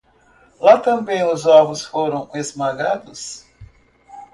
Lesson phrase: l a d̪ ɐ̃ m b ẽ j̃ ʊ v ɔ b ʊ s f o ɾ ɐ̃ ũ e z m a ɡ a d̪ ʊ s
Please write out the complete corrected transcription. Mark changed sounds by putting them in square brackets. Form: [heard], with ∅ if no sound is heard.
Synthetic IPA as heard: l a [t̪] ɐ̃ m b ẽ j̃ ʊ [z] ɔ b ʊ s f o ɾ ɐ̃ [w̃] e z m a ɡ a d̪ ʊ s